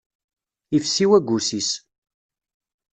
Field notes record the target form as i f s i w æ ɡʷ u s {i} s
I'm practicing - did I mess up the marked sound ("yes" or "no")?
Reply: no